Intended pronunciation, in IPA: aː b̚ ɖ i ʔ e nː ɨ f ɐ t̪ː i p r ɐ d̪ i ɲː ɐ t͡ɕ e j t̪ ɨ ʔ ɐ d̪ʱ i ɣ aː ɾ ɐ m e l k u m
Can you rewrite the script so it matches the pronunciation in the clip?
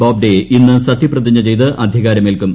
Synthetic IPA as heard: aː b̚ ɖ e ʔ i nː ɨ s ɐ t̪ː i p r ɐ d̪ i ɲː ɐ t͡ɕ e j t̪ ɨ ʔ ɐ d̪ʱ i ɣ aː ɾ ɐ m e l k u m